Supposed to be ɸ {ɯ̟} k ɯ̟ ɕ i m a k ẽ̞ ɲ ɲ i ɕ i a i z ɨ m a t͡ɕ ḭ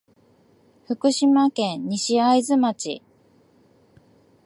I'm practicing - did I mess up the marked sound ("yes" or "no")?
no